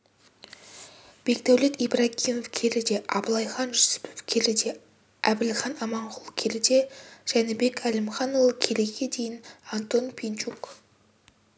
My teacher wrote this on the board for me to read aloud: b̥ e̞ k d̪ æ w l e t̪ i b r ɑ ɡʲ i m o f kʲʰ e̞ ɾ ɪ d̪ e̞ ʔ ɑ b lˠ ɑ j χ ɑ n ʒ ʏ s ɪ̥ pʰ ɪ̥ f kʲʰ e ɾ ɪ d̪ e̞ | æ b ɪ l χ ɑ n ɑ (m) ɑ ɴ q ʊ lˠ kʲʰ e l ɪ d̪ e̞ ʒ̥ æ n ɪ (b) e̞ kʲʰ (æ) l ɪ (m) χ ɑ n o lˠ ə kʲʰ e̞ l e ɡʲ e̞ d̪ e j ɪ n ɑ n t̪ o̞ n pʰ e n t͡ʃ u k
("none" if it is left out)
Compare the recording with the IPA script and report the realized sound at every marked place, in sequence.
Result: m, b, æ, m

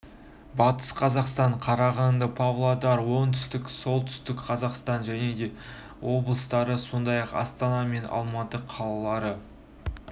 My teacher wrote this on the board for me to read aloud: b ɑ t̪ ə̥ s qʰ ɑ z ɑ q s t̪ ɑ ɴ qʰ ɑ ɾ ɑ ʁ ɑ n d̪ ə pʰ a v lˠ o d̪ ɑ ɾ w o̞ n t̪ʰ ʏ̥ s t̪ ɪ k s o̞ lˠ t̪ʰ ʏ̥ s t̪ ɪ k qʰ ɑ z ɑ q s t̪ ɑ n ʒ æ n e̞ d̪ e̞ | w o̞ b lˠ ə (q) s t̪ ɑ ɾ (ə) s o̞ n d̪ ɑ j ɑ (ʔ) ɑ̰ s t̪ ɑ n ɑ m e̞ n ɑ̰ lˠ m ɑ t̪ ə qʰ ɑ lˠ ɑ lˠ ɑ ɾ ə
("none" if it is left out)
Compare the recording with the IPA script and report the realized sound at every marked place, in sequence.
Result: none, ə, q

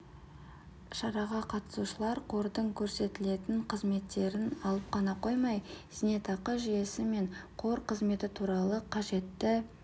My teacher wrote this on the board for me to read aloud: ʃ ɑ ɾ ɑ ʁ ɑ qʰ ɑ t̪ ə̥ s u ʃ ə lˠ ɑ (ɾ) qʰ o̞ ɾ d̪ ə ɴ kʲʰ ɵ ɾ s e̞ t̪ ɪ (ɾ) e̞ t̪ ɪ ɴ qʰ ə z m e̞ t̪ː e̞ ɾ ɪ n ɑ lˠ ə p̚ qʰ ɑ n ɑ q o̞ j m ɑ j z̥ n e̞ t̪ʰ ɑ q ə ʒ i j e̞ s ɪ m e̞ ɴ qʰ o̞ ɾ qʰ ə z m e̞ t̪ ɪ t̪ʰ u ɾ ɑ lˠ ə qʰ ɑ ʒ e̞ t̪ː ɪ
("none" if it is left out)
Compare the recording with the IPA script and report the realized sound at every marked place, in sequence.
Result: ɾ, l

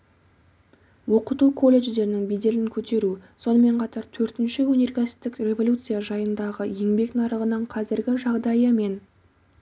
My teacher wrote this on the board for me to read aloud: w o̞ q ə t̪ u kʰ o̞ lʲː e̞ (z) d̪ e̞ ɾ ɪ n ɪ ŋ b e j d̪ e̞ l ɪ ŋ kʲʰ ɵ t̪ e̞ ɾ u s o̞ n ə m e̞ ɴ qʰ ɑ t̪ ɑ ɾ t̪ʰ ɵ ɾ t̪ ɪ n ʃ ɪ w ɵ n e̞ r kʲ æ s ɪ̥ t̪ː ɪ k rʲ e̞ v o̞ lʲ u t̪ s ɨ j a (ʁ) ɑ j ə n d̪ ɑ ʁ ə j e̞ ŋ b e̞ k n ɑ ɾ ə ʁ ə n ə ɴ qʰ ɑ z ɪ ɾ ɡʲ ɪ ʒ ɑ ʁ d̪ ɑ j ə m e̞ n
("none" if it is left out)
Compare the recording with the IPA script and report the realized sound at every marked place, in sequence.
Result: ʒ, ʒ

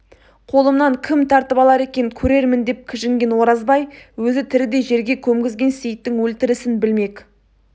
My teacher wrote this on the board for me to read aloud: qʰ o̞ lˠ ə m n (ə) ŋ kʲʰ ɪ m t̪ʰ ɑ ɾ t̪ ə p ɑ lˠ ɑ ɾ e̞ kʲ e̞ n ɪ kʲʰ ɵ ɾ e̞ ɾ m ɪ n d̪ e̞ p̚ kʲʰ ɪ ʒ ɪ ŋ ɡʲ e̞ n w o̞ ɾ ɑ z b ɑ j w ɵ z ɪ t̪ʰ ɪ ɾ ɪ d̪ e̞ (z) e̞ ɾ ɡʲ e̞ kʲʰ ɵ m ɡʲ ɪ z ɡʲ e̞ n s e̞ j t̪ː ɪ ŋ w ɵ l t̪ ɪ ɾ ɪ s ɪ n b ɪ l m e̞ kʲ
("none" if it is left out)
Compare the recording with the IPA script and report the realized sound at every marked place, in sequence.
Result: ɑ, ʒ

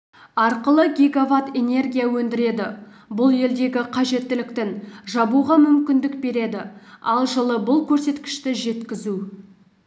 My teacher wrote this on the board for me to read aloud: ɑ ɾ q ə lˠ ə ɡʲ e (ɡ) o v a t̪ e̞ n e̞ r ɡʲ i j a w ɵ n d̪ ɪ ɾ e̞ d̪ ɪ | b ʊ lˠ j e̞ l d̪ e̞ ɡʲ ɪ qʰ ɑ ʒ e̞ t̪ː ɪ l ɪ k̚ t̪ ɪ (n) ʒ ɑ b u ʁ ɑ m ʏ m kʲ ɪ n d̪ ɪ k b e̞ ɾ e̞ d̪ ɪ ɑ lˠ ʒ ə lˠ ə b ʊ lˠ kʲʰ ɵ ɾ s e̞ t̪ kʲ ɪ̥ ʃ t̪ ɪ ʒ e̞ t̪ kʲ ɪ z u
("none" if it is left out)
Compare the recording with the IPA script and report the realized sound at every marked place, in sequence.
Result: ɡ, n

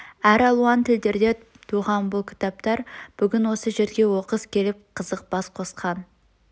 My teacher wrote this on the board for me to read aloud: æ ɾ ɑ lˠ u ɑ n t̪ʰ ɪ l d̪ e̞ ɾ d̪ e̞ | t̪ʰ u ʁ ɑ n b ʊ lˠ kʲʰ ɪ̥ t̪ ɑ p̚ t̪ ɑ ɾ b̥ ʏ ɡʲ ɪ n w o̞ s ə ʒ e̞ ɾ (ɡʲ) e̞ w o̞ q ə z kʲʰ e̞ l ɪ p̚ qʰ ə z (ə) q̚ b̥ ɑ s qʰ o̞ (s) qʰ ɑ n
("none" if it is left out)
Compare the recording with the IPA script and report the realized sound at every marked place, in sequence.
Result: ɡʲ, ə, s

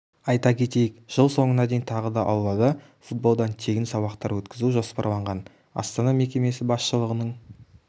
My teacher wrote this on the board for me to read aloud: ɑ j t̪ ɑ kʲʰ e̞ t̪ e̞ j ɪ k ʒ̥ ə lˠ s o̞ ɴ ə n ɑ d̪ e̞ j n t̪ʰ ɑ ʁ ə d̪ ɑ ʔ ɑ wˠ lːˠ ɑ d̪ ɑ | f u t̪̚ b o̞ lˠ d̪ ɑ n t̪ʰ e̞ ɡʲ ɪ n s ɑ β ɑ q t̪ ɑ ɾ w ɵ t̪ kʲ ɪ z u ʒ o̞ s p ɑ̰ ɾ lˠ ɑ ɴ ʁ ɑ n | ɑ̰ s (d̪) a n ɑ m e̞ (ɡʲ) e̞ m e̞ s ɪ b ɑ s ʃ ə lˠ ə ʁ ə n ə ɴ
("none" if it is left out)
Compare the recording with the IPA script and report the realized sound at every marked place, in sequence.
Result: t̪, kʲ

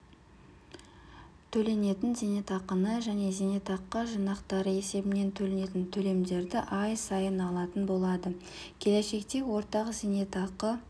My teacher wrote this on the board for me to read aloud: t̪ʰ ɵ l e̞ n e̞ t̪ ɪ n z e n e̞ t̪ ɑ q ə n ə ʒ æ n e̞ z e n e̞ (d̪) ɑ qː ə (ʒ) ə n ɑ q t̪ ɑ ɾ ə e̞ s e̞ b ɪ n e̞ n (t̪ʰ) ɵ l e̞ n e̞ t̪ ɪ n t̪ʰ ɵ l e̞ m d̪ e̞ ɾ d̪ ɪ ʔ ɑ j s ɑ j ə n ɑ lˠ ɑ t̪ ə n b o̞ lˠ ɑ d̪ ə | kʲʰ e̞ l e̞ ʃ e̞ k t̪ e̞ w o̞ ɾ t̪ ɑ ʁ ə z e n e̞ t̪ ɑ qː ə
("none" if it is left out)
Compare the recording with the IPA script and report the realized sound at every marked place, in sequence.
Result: t̪, ʒ, t̪ʰ

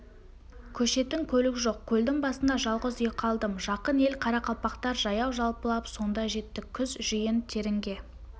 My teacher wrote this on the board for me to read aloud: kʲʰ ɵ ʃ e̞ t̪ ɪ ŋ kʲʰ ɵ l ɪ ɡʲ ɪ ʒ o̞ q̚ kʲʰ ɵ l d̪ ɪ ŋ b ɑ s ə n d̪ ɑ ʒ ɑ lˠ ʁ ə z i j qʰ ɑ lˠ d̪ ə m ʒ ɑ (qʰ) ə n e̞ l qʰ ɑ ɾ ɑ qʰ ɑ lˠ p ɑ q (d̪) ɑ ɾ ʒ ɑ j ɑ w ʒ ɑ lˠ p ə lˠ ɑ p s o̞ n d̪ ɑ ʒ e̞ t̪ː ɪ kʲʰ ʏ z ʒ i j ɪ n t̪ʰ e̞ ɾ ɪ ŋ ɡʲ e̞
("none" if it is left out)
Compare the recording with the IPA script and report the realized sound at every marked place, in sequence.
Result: q, t̪

